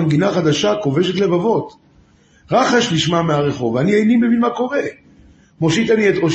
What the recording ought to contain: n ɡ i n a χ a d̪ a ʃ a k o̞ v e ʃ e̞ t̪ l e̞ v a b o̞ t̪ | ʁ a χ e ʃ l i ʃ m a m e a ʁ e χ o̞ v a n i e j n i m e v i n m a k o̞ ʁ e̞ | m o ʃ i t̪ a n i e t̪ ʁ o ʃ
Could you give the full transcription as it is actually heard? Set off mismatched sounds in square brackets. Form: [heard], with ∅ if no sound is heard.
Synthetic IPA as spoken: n ɡ i n a χ a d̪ a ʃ a k o̞ v e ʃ e̞ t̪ l e̞ v a [v] o̞ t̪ | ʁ a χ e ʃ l i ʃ m a m e a ʁ e χ o̞ v a n i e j n i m e v i n m a k o̞ ʁ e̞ | m o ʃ i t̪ a n i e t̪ ʁ o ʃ